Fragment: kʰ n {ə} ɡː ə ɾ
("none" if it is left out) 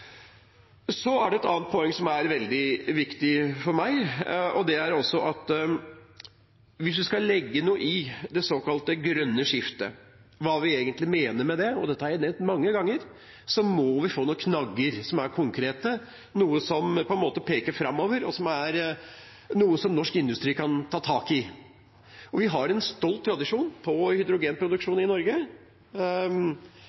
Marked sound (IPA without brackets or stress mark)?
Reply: ɑ